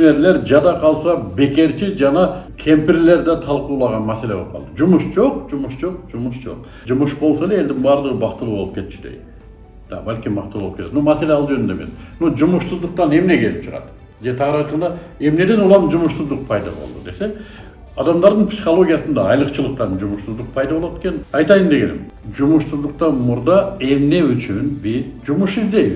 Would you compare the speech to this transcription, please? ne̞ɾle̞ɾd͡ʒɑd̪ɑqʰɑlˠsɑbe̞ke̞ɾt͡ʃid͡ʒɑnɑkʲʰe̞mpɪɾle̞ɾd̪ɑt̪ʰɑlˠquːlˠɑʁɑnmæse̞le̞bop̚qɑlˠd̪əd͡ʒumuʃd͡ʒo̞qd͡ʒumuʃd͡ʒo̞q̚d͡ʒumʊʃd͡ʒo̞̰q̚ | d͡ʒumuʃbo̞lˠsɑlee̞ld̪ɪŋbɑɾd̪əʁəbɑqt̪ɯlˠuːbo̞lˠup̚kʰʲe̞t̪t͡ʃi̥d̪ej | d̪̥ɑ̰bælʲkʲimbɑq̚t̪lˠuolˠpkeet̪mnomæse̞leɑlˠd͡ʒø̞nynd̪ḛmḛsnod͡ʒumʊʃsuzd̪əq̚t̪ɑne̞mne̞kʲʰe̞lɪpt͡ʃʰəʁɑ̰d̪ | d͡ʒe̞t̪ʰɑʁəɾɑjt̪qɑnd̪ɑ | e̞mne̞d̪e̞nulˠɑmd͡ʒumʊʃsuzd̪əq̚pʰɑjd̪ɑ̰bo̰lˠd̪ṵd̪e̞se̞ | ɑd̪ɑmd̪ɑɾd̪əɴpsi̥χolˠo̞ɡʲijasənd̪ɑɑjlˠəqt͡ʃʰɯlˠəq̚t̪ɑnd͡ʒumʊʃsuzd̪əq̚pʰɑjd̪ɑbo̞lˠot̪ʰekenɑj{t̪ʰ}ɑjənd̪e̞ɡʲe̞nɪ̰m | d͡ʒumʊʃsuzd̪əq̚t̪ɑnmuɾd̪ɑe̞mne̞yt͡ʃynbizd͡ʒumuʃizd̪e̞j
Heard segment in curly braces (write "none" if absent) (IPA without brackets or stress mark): t̪